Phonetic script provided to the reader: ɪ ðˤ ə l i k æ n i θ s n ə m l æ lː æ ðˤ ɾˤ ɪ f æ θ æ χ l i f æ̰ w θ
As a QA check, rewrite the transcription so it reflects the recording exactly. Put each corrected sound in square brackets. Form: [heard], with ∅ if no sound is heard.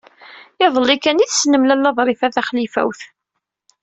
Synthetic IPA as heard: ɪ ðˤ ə l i k æ n i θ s n ə m l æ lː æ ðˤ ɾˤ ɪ f æ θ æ χ l i f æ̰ w θ